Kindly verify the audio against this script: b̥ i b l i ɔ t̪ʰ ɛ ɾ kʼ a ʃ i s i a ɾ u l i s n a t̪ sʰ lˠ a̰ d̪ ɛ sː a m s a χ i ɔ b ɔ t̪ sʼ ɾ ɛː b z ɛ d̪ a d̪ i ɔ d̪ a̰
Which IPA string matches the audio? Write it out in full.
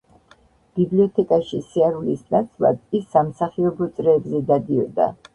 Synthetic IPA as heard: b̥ i b l i ɔ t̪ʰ ɛ kʼ a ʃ i s i a ɾ u l i s n a t̪ sʰ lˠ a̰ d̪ i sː a m s a χ i ɔ b ɔ t̪ sʼ ɾ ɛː b z ɛ d̪ a d̪ i ɔ d̪ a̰